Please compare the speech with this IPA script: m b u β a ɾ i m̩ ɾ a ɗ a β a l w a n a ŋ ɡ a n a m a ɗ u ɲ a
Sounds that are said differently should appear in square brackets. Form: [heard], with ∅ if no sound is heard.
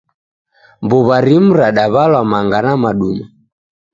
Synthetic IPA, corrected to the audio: m b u β a ɾ i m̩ ɾ a ɗ a β a l w a [m] a ŋ ɡ a n a m a ɗ u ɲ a